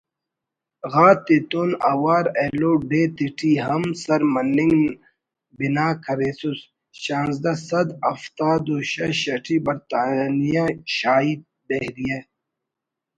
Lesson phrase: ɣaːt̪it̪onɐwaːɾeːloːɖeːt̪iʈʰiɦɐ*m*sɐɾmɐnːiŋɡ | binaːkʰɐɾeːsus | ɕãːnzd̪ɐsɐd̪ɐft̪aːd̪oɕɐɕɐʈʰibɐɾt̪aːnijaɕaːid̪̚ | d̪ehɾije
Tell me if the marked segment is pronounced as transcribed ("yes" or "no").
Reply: yes